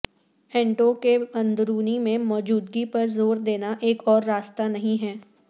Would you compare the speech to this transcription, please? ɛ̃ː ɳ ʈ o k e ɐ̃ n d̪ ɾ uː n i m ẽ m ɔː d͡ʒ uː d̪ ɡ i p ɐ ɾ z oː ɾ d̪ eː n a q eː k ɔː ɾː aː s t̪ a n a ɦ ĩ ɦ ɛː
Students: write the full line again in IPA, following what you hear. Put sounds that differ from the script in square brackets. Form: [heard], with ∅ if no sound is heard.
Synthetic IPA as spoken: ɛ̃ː ɳ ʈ o k e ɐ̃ n d̪ ɾ uː n i m ẽ m ɔː d͡ʒ uː d̪ ɡ i p ɐ ɾ z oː ɾ d̪ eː n a [ʔ] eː k ɔː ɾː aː s t̪ a n [ɐ] ɦ ĩ ɦ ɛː